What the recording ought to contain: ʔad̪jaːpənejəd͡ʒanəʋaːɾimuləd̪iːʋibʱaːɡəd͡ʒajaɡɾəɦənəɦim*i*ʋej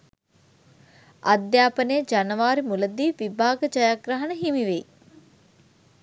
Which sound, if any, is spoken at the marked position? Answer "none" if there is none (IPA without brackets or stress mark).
i